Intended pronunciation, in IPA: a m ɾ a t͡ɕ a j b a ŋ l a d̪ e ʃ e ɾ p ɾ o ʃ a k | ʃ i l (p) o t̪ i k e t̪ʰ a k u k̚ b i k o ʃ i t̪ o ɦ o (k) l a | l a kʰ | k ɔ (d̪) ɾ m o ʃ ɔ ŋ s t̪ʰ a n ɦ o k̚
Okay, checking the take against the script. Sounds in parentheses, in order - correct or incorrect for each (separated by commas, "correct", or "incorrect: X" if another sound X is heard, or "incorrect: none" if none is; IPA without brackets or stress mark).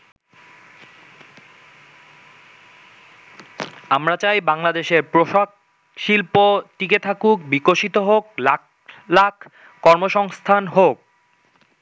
correct, correct, incorrect: none